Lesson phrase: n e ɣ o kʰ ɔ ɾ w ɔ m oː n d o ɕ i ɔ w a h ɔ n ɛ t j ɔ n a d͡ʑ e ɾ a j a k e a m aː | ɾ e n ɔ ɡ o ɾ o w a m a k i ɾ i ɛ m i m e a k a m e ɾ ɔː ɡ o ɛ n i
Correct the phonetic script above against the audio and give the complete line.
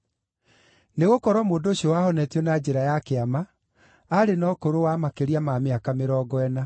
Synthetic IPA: n e ɣ o k ɔ ɾ w ɔ m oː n d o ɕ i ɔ w a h ɔ n ɛ t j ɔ n a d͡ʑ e ɾ a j a k e a m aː | ɾ e n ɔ k o ɾ o w a m a k e ɾ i a m a m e a k a m e ɾ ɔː ɡ ɔ ɛ n a